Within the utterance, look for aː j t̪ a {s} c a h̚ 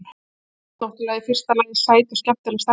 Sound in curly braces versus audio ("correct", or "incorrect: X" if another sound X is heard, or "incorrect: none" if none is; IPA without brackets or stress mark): correct